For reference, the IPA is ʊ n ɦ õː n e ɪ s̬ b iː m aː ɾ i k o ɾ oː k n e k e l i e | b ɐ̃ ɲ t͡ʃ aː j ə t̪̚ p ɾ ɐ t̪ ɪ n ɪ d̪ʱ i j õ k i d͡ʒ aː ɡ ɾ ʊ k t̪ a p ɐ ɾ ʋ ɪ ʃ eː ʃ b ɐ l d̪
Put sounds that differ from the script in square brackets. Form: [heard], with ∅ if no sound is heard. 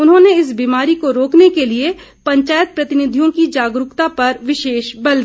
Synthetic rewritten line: ʊ n ɦ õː n e ɪ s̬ b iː m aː ɾ i k o ɾ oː k n e k e l i e | [p] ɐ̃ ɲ t͡ʃ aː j ə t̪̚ p ɾ ɐ t̪ ɪ n ɪ d̪ʱ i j õ k i d͡ʒ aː ɡ ɾ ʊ k t̪ a p ɐ ɾ ʋ ɪ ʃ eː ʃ b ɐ l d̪